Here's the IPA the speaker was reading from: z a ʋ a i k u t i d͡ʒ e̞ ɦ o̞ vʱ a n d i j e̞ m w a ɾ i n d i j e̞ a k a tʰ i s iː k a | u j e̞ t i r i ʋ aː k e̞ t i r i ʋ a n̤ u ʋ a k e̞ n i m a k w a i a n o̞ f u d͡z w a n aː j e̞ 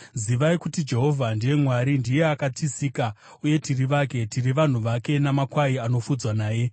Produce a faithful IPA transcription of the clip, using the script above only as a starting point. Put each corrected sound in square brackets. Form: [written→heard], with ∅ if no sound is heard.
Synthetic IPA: z [a→i] ʋ a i k u t i d͡ʒ e̞ ɦ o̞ vʱ a n d i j e̞ m w a ɾ i n d i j e̞ a k a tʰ i s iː k a | u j e̞ t i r i ʋ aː k e̞ t i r i ʋ a n̤ u ʋ a k e̞ n [i→a] m a k w a i a n o̞ f u d͡z w a n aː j e̞